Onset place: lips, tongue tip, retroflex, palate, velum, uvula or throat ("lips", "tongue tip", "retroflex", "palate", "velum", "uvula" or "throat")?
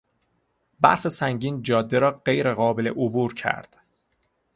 lips